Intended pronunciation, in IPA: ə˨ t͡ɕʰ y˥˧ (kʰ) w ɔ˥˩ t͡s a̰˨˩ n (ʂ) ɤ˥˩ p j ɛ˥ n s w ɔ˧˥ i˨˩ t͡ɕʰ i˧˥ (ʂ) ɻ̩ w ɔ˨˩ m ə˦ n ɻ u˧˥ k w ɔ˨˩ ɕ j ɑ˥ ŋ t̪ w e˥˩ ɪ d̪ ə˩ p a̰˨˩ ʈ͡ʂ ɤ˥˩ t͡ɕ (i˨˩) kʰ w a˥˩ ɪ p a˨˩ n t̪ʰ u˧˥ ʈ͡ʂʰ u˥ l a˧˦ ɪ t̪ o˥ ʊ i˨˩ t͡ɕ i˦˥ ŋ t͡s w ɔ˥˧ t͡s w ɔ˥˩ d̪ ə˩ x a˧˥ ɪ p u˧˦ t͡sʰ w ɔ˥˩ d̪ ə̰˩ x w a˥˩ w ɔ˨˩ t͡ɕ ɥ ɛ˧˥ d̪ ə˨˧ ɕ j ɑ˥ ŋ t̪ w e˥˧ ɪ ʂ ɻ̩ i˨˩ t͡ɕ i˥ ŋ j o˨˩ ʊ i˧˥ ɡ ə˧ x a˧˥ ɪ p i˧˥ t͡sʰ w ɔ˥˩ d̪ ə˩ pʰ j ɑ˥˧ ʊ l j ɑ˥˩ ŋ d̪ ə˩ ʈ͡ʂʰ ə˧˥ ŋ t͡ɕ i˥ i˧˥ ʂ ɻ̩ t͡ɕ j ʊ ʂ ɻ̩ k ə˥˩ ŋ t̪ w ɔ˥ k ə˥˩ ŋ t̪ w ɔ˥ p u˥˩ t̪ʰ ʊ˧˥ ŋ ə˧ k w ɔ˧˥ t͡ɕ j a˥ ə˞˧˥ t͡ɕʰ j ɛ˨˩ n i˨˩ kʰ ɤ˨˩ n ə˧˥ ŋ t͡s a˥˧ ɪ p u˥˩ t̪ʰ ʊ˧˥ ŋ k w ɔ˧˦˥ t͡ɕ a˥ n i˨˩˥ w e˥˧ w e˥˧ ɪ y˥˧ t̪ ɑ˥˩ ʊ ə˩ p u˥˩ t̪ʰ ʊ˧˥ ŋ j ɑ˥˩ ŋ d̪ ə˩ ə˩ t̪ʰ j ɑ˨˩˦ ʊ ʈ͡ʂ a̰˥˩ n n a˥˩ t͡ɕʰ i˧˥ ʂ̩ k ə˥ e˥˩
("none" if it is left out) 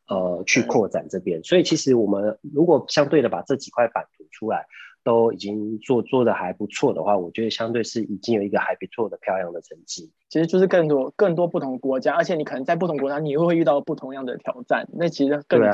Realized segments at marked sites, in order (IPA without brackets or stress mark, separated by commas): kʰ, ʈ͡ʂ, ʂ, i˨˩